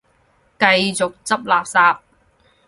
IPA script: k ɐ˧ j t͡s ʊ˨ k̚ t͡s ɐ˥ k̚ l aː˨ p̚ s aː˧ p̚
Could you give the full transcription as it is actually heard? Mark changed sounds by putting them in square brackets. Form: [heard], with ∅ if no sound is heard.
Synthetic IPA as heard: k ɐ˧ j t͡s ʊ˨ k̚ t͡s ɐ˥ [p̚] l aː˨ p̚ s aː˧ p̚